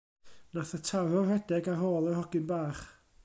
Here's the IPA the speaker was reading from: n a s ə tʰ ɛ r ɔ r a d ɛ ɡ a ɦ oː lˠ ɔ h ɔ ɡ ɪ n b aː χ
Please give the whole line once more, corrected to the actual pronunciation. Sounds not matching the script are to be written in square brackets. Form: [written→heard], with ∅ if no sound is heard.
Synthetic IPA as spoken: n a [s→θ] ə tʰ [ɛ→a] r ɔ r [a→ɛ] d ɛ ɡ a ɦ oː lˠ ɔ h ɔ ɡ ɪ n b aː χ